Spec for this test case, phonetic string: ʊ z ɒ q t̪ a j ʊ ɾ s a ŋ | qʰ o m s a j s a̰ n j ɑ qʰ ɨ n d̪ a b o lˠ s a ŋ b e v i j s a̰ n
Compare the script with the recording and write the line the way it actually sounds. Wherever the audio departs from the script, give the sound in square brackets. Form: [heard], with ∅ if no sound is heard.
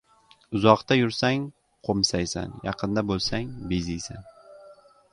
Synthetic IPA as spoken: ʊ z ɒ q t̪ a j ʊ ɾ s a ŋ | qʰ o m s a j s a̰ n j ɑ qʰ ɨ n d̪ a b o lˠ s a ŋ b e [z] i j s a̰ n